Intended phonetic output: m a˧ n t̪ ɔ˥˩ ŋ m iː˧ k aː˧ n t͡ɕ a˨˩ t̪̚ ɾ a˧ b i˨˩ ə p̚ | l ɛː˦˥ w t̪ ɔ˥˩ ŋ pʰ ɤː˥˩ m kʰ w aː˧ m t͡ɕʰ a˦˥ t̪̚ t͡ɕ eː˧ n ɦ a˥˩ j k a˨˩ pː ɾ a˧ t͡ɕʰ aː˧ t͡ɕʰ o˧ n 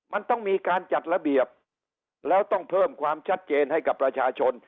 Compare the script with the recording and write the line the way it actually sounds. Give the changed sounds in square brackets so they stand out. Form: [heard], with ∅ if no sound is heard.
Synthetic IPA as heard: m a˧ n t̪ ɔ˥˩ ŋ m iː˧ k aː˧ n t͡ɕ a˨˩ t̪̚ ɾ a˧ b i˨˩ ə p̚ | l ɛː˦˥ w t̪ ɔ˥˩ ŋ pʰ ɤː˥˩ m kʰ w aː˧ m t͡ɕʰ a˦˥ t̪̚ t͡ɕ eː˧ n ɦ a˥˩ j k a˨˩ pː ɾ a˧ t͡ɕʰ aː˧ t͡ɕʰ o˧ n